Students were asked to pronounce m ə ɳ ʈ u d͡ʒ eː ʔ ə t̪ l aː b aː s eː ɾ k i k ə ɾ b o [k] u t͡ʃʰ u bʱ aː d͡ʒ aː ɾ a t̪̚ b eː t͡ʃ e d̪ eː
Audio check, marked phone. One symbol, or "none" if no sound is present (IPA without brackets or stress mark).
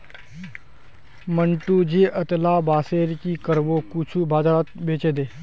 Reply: k